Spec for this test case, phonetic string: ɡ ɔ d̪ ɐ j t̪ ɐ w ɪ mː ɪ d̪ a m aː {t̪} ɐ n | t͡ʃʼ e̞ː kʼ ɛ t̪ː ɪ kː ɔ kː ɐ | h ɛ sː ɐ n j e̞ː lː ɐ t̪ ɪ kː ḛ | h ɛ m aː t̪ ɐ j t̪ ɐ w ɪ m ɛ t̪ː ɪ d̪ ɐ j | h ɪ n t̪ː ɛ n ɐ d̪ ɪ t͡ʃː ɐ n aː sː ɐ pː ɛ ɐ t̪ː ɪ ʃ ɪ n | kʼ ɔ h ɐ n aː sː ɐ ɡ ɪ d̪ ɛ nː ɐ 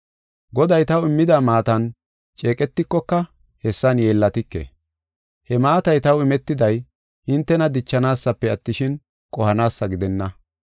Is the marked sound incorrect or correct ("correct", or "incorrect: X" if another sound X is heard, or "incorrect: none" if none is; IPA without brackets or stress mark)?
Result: correct